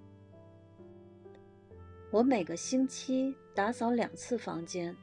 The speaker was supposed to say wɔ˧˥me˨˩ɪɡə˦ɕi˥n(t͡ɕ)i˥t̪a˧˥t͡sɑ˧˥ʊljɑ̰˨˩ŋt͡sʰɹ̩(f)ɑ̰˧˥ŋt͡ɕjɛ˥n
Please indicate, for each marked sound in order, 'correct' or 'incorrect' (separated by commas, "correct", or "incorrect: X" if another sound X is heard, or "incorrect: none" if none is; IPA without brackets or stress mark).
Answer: incorrect: t͡ɕʰ, correct